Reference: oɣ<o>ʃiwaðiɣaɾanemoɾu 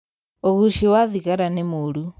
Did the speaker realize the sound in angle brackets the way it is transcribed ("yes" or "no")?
no